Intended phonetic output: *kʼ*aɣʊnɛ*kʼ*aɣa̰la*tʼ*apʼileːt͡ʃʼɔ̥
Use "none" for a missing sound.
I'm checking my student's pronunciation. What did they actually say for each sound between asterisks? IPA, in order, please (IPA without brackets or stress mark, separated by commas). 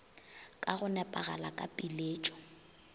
kʼ, pʼ, kʼ